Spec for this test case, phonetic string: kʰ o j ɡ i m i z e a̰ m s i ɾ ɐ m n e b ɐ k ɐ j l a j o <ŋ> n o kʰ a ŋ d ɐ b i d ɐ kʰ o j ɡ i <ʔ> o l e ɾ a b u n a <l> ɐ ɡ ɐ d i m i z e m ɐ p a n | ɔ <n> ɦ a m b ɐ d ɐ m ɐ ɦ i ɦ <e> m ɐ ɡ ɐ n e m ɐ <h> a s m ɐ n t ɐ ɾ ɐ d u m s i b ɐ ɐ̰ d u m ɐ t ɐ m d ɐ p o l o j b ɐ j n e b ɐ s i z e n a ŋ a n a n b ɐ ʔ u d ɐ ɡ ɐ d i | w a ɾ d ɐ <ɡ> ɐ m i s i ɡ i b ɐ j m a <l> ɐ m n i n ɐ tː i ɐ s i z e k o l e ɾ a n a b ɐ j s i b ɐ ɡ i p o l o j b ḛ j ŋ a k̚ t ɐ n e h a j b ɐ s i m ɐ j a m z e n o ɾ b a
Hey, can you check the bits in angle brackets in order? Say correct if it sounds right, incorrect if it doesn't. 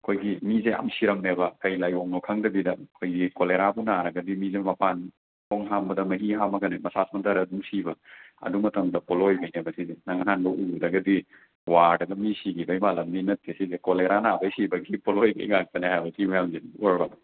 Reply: correct, incorrect: k, incorrect: ɾ, incorrect: ŋ, incorrect: a, incorrect: s, correct, correct

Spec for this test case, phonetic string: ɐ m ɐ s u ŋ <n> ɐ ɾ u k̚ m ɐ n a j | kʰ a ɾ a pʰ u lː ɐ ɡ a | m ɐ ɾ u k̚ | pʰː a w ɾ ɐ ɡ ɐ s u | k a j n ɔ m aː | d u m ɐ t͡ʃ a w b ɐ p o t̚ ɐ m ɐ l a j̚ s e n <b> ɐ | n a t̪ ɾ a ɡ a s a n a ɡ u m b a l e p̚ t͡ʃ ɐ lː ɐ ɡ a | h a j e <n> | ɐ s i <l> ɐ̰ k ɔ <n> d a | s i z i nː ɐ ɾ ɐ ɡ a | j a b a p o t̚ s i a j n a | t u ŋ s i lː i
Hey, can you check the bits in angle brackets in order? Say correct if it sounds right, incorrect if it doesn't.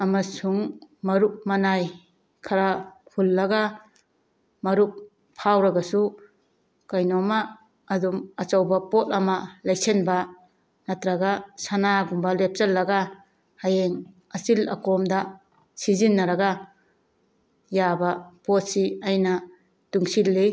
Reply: incorrect: m, correct, incorrect: ŋ, correct, incorrect: m

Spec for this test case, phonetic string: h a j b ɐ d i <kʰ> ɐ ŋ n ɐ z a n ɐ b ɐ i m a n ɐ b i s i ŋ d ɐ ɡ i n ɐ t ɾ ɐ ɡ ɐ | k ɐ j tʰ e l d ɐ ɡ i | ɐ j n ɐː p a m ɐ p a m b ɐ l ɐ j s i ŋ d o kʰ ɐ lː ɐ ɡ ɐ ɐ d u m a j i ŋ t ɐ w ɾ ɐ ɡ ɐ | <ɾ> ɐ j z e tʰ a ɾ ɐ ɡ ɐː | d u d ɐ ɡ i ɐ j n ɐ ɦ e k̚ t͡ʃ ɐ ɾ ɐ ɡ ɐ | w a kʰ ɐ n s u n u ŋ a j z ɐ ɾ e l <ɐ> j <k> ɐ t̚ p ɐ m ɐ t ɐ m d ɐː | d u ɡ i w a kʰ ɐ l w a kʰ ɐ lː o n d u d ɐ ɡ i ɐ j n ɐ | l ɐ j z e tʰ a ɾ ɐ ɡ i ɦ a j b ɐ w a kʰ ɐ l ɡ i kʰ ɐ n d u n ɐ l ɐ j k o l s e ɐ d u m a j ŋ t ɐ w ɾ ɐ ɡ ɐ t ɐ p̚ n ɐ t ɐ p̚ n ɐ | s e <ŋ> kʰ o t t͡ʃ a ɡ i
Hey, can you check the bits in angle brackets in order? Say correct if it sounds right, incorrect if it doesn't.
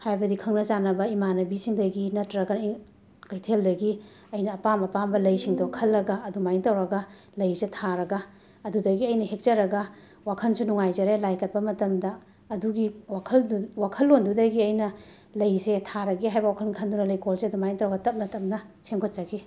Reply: correct, incorrect: l, incorrect: a, correct, correct

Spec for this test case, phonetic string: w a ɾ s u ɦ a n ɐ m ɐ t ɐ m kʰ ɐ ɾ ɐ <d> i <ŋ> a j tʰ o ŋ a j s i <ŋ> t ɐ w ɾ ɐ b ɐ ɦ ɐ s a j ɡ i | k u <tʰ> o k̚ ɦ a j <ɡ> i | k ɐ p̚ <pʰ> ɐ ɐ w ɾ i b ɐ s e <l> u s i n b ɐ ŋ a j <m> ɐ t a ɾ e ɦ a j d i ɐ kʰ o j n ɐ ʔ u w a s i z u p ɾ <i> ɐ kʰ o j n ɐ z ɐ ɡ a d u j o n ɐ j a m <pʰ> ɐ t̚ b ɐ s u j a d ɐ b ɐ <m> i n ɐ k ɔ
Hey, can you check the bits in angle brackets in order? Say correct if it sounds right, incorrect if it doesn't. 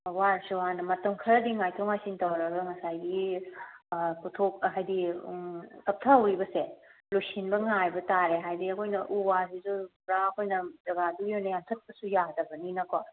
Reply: correct, correct, incorrect: n, correct, incorrect: d, incorrect: tʰ, correct, incorrect: b, incorrect: a, incorrect: tʰ, incorrect: n

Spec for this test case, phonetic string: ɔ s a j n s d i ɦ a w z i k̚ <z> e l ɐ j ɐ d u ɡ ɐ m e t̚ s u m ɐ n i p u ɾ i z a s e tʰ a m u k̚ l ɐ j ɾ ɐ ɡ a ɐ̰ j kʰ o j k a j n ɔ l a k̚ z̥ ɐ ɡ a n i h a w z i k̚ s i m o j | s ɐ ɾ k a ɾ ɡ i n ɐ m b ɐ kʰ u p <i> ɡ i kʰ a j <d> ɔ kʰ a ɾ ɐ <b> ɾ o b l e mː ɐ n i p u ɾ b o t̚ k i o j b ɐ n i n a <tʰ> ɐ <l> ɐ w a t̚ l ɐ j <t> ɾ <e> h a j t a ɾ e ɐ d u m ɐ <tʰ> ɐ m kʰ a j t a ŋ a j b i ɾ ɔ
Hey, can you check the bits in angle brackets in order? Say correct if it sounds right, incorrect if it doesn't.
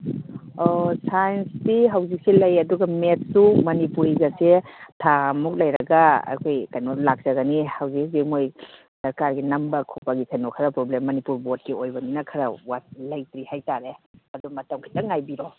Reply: incorrect: s, incorrect: a, incorrect: n, incorrect: p, incorrect: kʰ, incorrect: ɾ, correct, incorrect: i, incorrect: t

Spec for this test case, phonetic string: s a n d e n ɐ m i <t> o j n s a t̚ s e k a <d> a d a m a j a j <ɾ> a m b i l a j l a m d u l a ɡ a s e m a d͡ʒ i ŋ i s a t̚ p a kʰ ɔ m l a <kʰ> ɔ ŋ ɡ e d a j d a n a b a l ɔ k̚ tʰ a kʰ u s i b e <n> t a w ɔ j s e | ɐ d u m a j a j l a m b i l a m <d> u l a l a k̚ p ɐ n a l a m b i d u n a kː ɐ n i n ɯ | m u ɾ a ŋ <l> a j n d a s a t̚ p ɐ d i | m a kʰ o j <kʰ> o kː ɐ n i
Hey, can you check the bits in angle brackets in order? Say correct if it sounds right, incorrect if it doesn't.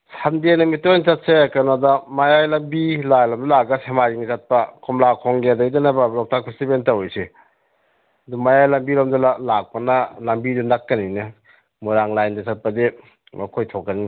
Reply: correct, incorrect: n, incorrect: l, correct, correct, correct, correct, incorrect: tʰ

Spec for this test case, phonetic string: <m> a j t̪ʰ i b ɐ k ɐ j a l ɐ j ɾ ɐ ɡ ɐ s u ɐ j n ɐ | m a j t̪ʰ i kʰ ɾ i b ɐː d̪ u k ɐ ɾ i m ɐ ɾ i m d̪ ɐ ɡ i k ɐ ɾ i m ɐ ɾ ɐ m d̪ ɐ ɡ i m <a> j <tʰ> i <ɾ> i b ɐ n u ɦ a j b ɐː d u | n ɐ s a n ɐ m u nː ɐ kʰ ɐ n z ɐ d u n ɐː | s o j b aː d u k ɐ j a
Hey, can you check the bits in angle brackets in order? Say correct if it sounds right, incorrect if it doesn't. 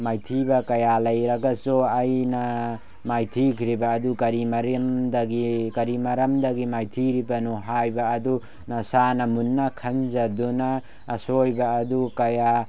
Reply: correct, correct, correct, correct

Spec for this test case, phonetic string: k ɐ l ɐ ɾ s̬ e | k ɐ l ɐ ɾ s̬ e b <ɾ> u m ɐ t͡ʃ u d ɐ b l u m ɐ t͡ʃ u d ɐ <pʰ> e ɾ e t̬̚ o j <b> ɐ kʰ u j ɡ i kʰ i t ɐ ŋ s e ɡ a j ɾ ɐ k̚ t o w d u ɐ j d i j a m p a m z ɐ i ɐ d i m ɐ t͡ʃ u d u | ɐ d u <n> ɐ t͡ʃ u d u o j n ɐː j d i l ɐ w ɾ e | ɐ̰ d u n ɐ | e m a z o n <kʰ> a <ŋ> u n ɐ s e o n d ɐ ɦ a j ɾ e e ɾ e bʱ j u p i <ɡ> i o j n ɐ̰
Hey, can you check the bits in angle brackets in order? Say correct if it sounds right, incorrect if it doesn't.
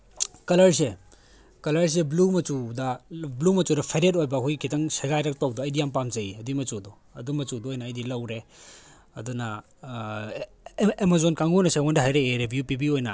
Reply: incorrect: l, correct, correct, incorrect: m, incorrect: k, correct, incorrect: b

